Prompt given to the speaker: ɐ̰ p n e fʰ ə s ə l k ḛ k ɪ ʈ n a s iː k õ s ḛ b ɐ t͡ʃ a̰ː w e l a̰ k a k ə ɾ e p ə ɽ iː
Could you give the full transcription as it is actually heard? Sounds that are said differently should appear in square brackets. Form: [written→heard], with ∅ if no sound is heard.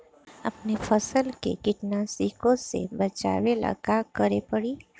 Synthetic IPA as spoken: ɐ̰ p n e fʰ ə s ə l k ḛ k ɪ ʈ n a s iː k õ s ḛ b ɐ t͡ʃ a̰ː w e l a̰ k a k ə ɾ e p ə ɽ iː